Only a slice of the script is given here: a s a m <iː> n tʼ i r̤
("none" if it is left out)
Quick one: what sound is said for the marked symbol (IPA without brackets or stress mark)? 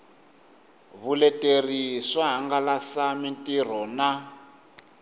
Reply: i